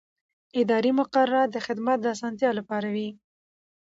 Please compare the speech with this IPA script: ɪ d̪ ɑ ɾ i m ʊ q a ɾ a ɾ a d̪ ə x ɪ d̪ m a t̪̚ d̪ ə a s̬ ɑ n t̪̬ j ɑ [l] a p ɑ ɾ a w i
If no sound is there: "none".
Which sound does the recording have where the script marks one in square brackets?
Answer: l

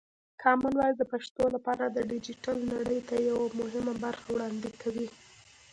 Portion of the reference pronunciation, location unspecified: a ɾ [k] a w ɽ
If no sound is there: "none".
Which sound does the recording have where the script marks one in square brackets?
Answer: x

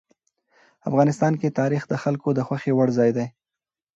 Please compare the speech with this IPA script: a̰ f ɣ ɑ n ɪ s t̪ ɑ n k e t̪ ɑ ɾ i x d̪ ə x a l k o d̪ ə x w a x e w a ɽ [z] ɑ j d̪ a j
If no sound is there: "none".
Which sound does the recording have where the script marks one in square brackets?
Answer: z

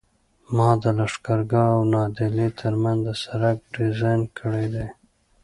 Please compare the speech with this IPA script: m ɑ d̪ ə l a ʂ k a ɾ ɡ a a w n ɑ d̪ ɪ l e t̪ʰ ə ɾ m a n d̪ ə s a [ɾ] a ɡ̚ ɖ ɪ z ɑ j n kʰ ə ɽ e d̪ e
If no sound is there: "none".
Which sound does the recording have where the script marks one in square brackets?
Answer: ɾ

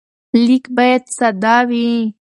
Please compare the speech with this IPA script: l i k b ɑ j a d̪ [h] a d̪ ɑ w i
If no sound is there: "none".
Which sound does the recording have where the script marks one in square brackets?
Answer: s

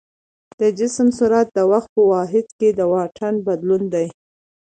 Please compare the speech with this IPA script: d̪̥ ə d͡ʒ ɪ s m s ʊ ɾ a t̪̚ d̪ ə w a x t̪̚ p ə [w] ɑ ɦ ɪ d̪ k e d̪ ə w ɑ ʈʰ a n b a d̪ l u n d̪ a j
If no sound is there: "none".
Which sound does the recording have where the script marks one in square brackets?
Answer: w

